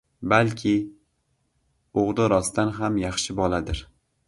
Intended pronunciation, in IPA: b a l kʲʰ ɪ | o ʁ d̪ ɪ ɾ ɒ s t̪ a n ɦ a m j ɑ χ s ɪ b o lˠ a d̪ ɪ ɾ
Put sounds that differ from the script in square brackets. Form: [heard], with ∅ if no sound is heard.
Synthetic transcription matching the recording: b a l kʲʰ ɪ | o ʁ d̪ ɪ ɾ ɒ s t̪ a n ɦ a m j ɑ χ [ʃ] ɪ b [ɒ] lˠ a d̪ ɪ ɾ